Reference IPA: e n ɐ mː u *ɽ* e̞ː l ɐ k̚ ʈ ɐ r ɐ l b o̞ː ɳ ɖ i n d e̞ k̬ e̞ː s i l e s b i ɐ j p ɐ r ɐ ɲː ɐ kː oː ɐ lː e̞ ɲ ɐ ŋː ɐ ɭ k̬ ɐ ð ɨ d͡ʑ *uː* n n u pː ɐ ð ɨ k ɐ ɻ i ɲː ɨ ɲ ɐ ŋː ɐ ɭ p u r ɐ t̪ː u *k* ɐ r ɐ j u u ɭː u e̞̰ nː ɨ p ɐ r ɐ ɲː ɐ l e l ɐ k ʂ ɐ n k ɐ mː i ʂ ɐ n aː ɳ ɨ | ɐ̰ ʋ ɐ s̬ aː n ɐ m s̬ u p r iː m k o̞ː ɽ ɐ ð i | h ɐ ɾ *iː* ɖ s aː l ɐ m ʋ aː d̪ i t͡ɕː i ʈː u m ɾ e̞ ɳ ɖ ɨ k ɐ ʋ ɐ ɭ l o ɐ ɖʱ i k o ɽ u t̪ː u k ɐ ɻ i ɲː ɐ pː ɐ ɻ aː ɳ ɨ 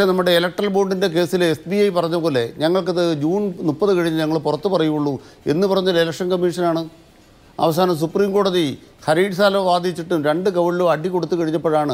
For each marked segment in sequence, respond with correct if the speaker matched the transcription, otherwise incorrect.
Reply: correct, correct, incorrect, correct

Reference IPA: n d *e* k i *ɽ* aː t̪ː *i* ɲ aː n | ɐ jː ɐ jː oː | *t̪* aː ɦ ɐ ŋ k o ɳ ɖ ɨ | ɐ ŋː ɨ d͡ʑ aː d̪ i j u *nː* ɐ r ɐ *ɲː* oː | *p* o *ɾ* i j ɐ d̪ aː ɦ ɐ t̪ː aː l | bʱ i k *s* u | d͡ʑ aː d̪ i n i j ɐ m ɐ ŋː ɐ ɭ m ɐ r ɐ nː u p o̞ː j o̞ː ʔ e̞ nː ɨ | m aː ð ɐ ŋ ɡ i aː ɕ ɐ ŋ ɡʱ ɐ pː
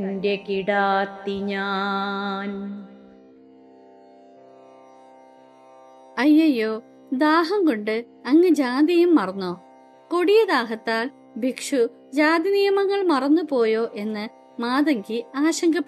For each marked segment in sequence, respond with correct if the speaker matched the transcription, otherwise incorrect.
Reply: correct, correct, correct, incorrect, incorrect, incorrect, incorrect, incorrect, incorrect

